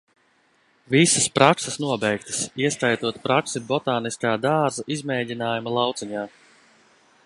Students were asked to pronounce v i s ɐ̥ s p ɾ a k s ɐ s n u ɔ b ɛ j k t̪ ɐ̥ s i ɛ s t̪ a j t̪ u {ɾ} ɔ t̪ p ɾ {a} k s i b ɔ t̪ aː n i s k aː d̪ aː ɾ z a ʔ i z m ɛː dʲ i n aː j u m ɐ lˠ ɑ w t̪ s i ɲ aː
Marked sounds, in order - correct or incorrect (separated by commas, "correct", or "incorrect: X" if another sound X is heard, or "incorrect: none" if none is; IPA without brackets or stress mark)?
incorrect: none, correct